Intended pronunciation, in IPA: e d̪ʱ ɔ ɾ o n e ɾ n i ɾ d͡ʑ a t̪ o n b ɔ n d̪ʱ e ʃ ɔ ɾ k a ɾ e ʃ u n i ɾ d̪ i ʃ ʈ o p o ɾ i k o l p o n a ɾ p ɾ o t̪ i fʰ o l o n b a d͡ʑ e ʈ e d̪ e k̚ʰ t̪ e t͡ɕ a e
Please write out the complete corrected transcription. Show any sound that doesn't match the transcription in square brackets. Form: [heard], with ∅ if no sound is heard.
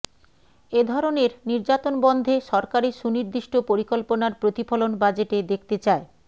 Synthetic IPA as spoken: e d̪ʱ ɔ ɾ o n e ɾ n i ɾ d͡ʑ a t̪ o n b ɔ n d̪ʱ e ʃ ɔ ɾ k a ɾ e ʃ u n i ɾ d̪ i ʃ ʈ o p o ɾ i k o l p o n a ɾ p ɾ o t̪ i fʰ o l o n b a d͡ʑ e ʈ e d̪ e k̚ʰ t̪ e t͡ɕ a e